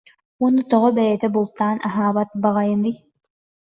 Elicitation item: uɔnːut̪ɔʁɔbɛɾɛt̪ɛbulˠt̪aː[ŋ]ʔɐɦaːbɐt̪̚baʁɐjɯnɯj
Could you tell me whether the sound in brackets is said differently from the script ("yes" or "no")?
yes